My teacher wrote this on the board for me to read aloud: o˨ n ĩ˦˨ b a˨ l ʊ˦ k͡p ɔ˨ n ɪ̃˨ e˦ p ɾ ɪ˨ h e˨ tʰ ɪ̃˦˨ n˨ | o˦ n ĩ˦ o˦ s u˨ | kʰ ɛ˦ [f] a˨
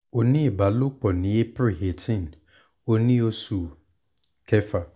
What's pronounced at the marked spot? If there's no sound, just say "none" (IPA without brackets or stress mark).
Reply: f